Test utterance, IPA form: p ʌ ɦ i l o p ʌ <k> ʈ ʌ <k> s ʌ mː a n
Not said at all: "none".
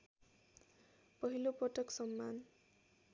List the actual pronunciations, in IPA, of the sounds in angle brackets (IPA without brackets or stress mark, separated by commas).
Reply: none, k